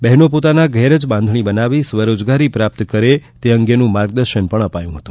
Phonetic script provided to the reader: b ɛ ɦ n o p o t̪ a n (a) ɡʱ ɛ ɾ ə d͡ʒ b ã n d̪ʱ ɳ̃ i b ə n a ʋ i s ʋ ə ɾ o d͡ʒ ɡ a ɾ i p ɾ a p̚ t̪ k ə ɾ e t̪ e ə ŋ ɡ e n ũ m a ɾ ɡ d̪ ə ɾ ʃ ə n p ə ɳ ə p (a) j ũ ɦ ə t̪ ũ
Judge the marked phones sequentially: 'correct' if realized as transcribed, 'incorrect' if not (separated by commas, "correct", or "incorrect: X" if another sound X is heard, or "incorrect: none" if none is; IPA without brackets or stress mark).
correct, correct